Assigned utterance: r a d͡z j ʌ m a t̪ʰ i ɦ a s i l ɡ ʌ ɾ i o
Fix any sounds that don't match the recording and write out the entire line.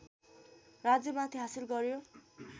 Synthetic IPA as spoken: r a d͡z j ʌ m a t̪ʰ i ɦ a s i l ɡ ʌ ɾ j o